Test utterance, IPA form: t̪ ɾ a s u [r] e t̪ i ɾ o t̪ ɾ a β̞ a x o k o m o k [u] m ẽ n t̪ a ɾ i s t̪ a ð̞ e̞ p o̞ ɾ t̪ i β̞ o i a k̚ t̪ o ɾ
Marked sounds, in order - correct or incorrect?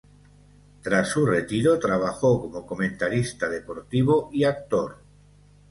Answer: correct, incorrect: o

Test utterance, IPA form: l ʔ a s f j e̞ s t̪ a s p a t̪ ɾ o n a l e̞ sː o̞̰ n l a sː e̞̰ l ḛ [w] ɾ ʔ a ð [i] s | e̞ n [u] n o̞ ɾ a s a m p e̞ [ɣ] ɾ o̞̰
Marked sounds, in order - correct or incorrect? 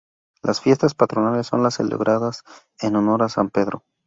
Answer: incorrect: β, incorrect: a, incorrect: o, incorrect: ð

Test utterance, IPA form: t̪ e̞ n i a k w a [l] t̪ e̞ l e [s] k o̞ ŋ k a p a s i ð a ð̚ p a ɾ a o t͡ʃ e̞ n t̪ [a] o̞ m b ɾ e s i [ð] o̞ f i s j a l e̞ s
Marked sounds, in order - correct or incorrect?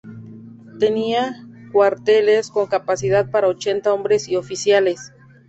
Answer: incorrect: ɾ, correct, correct, incorrect: none

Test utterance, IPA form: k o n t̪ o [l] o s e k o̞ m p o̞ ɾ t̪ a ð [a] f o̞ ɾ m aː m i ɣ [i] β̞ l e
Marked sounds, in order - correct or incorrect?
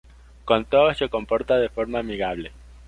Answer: incorrect: none, incorrect: e, incorrect: a

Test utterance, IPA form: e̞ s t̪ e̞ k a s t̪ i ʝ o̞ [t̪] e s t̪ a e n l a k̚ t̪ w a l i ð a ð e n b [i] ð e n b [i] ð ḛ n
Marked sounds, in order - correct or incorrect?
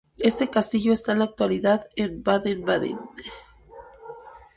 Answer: incorrect: none, incorrect: a, incorrect: a

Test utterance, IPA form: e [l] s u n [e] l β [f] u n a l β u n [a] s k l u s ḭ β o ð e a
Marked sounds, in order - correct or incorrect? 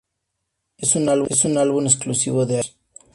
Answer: incorrect: none, incorrect: a, incorrect: s, incorrect: e

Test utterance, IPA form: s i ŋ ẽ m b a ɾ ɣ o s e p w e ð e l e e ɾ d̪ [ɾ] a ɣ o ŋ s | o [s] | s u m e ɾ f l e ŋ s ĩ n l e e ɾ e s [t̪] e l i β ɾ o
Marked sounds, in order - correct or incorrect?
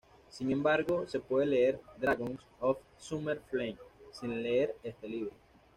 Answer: correct, incorrect: f, correct

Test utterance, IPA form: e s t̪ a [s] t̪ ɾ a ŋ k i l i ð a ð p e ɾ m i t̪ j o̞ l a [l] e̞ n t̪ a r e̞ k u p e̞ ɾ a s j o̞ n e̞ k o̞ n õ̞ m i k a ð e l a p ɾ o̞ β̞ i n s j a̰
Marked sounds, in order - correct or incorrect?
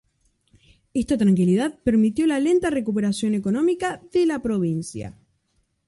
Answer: incorrect: none, correct

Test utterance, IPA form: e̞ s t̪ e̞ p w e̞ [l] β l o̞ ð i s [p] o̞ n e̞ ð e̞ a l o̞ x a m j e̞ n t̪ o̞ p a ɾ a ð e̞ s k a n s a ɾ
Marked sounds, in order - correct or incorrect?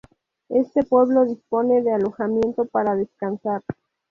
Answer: incorrect: none, correct

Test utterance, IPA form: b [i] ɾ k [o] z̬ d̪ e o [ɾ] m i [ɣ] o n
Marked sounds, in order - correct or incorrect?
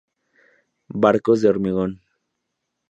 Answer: incorrect: a, correct, correct, correct

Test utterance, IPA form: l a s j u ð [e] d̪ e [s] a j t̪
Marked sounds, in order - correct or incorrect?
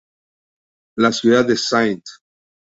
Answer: incorrect: a, correct

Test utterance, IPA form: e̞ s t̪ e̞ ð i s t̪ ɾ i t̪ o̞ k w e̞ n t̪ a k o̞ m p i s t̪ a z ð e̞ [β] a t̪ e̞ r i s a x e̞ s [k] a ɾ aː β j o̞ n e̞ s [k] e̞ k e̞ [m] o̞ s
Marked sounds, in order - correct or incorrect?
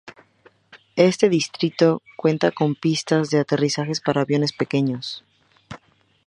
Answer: incorrect: none, incorrect: p, incorrect: p, incorrect: ɲ

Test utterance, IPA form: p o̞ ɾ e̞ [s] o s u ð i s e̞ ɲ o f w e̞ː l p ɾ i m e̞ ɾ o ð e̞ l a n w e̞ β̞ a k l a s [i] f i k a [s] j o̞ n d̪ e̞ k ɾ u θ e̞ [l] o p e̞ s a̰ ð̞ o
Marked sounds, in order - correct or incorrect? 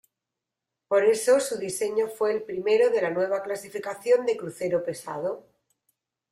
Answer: correct, correct, incorrect: θ, incorrect: ɾ

